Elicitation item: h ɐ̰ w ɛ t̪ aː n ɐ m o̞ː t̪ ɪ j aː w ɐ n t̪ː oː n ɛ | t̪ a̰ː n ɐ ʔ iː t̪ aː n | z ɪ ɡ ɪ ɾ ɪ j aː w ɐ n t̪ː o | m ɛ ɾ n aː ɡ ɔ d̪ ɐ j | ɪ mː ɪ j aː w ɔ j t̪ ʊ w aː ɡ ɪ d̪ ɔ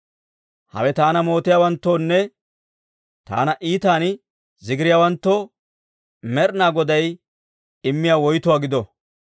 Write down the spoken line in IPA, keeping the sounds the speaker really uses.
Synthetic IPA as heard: h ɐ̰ w ɛ t̪ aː n ɐ m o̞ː t̪ ɪ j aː w ɐ n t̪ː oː nː ɛ | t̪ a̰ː n ɐ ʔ iː t̪ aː n | z ɪ ɡ ɪ ɾ ɪ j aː w ɐ n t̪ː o | m ɛ ɾ n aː ɡ ɔ d̪ ɐ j | ɪ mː ɪ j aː w ɔ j t̪ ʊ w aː ɡ ɪ d̪ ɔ